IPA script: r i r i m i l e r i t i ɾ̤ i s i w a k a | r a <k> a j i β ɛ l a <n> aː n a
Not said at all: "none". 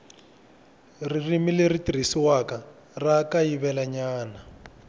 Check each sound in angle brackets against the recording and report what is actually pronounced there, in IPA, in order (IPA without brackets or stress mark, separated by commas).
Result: k, ɲ